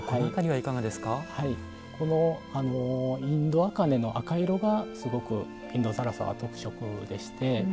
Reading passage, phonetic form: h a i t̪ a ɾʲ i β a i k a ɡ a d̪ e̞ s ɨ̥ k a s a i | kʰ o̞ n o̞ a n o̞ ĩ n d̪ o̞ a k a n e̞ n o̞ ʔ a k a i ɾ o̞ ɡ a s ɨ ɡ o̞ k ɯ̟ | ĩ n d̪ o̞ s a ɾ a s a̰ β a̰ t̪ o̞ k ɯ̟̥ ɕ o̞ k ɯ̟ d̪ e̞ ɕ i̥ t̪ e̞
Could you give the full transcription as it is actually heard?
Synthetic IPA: h a i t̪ a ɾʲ i β a i k a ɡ a d̪ e̞ s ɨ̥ k a h a i | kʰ o̞ n o̞ a n o̞ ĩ n d̪ o̞ a k a n e̞ n o̞ ʔ a k a i ɾ o̞ ɡ a s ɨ ɡ o̞ k ɯ̟ | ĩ n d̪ o̞ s a ɾ a s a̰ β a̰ t̪ o̞ k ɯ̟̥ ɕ o̞ k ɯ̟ d̪ e̞ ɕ i̥ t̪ e̞